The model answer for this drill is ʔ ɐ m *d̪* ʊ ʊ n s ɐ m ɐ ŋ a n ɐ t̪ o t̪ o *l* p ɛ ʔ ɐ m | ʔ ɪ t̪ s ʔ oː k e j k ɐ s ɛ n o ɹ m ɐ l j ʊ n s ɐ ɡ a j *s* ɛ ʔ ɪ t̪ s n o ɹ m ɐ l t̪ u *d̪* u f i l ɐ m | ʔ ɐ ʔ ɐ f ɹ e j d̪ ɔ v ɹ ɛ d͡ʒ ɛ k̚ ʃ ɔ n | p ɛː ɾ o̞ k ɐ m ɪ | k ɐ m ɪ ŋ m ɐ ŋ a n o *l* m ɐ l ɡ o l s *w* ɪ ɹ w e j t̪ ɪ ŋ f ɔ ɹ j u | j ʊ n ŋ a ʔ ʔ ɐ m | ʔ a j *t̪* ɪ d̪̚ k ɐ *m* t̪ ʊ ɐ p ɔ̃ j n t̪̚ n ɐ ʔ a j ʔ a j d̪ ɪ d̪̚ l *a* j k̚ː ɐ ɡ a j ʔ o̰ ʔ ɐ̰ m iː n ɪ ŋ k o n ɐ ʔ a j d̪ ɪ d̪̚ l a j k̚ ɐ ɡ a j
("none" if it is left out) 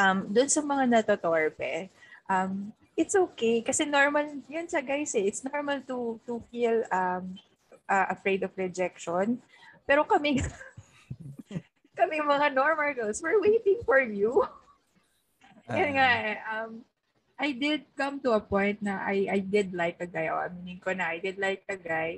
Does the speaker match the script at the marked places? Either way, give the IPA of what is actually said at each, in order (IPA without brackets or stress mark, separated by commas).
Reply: d̪, ɹ, s, t̪, ɹ, w, d̪, m, a